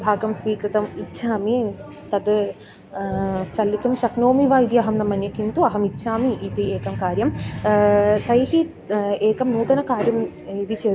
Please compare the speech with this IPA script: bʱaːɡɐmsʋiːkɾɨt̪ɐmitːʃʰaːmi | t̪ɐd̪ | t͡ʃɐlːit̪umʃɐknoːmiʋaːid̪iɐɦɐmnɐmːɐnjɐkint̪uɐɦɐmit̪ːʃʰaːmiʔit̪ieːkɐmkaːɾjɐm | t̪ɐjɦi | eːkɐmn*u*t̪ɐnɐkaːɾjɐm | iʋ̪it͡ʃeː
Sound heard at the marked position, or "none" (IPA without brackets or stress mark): uː